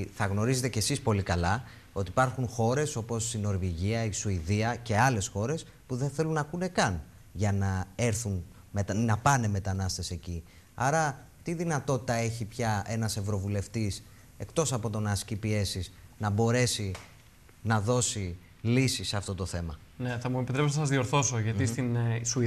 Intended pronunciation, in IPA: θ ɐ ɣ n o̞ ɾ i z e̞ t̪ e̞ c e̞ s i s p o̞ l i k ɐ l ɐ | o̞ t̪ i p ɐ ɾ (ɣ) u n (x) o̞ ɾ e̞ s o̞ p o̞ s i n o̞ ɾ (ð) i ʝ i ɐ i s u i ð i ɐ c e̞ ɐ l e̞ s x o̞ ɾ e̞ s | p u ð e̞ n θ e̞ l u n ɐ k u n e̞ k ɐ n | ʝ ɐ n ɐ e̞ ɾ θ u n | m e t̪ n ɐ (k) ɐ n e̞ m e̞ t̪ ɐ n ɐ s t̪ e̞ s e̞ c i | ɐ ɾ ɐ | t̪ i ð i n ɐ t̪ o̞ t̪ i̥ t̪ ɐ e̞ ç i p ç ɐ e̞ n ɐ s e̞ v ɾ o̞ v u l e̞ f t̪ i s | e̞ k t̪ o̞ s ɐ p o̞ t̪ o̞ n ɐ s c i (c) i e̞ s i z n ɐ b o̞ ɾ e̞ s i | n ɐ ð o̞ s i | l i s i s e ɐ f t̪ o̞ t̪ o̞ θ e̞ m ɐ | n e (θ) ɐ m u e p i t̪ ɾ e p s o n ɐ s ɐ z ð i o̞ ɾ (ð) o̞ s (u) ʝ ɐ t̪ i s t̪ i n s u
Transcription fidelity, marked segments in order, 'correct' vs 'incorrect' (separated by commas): incorrect, correct, incorrect, incorrect, incorrect, correct, incorrect, incorrect